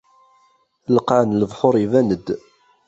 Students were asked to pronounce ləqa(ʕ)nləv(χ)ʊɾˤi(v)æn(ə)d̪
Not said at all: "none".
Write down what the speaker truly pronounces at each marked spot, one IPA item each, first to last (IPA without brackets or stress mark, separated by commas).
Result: ʕ, ħ, v, ə